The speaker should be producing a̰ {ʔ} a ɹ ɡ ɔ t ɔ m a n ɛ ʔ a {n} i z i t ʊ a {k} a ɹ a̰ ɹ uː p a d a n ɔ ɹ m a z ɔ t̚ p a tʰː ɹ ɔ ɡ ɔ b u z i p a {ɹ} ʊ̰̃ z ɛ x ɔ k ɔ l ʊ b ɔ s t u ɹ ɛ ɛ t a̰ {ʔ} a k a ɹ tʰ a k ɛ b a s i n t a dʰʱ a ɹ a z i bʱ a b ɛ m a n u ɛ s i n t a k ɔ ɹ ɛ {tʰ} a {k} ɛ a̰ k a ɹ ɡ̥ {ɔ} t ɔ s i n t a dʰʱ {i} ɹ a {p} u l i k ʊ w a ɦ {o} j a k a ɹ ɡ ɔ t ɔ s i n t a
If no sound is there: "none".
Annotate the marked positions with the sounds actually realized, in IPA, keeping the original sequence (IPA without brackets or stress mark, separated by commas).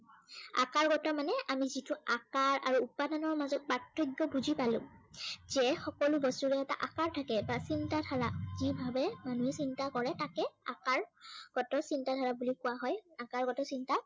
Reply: k, m, k, l, ʔ, t, k, ɔ, a, b, ɔ